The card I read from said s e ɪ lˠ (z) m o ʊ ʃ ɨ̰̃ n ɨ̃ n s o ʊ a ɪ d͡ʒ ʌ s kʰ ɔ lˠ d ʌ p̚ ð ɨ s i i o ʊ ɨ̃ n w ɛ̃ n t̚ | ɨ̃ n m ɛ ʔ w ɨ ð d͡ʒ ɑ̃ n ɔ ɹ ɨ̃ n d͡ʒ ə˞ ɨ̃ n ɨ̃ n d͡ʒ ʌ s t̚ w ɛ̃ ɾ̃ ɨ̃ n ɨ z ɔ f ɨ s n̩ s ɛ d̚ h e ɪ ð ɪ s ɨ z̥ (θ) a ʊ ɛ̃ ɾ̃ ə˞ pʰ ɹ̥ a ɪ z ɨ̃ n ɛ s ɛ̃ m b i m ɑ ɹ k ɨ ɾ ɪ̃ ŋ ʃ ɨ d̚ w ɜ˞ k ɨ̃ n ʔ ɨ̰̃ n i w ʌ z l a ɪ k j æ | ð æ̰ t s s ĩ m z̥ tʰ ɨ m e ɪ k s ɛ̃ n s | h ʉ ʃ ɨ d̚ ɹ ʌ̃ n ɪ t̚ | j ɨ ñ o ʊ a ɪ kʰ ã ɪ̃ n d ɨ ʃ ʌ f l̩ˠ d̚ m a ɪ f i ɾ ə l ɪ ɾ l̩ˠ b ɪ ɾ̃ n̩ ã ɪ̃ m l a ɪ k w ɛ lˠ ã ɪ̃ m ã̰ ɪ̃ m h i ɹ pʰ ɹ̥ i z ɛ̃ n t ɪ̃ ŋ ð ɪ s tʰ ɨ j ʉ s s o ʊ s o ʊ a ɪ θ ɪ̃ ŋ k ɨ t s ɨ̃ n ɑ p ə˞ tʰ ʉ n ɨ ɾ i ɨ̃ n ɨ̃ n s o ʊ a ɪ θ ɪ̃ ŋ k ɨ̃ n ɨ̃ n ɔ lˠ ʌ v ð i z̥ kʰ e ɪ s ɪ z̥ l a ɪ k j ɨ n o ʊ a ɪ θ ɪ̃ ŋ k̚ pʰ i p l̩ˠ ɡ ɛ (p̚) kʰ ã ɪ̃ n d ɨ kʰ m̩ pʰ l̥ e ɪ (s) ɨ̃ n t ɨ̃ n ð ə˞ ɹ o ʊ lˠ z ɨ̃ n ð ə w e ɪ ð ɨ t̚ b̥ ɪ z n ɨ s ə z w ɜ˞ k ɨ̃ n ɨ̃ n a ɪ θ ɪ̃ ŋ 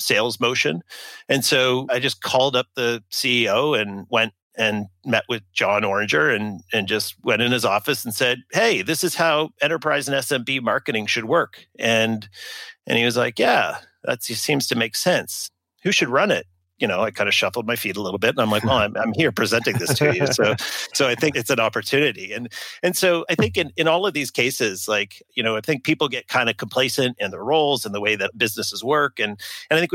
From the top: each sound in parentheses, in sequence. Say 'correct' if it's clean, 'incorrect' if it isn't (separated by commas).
correct, incorrect, incorrect, correct